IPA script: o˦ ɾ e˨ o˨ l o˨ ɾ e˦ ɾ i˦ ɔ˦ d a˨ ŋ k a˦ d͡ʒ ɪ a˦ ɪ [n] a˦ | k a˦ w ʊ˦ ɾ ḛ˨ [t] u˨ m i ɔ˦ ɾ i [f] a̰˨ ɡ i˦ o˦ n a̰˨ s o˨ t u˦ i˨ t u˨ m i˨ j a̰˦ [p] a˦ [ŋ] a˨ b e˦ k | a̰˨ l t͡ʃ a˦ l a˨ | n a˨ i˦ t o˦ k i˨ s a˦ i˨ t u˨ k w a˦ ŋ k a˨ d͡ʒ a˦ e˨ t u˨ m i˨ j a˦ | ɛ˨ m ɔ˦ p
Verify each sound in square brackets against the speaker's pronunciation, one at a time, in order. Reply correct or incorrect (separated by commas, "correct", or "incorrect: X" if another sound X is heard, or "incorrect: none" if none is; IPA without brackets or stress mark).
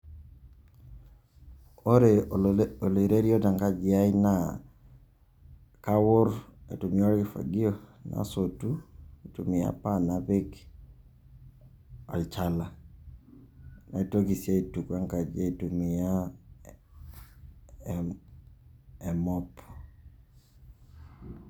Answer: correct, correct, correct, correct, incorrect: n